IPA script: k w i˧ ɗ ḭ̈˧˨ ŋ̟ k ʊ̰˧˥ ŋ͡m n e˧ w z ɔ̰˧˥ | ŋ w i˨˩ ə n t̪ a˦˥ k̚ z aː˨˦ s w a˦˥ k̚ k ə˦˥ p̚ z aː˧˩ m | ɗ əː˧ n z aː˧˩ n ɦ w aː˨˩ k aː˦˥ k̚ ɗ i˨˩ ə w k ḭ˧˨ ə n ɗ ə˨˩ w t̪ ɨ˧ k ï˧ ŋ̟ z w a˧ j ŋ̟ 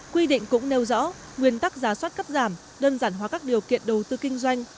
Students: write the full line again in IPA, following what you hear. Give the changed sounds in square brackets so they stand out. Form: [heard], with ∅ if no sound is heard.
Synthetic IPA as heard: k w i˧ ɗ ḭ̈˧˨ ŋ̟ k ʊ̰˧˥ ŋ͡m n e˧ w z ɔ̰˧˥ | ŋ w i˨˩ ə n t̪ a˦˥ k̚ z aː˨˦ s w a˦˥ [t̚] k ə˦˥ p̚ z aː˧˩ m | ɗ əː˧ n z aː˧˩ n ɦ w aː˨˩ k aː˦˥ k̚ ɗ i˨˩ ə w k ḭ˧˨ ə n ɗ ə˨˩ w t̪ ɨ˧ k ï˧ ŋ̟ z w a˧ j ŋ̟